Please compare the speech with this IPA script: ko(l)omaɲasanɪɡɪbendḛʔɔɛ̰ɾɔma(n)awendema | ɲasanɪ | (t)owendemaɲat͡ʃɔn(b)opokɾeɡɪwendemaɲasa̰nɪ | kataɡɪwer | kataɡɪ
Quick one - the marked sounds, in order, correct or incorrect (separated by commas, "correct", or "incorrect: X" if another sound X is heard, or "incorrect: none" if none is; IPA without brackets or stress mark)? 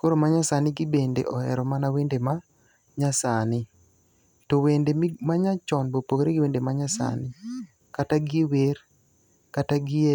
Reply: incorrect: ɾ, correct, correct, correct